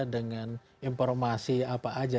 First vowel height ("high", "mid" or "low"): mid